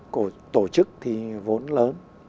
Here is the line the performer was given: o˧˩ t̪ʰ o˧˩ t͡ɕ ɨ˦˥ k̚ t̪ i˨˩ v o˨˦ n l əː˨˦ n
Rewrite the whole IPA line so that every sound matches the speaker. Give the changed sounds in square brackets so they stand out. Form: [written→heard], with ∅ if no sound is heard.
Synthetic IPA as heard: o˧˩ [t̪ʰ→t̪] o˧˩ t͡ɕ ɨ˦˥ k̚ [t̪→t̪ʰ] i˨˩ v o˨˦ n l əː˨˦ n

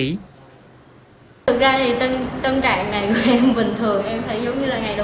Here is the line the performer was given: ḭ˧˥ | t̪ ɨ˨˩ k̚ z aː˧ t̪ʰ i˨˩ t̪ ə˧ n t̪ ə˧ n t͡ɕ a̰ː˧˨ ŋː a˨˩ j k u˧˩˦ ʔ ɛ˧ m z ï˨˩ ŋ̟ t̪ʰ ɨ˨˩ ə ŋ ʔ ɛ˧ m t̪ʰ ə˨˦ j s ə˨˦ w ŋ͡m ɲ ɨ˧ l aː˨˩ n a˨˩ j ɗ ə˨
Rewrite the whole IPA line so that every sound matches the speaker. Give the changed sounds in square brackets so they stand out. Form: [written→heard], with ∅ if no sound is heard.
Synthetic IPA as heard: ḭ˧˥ | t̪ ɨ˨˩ k̚ z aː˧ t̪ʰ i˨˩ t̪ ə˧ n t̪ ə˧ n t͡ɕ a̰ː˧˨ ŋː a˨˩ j k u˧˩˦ ʔ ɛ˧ m [z→v] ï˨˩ ŋ̟ t̪ʰ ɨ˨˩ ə ŋ ʔ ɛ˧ m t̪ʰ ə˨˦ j [s→z] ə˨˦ w ŋ͡m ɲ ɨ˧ l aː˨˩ [n→ŋ] a˨˩ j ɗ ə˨

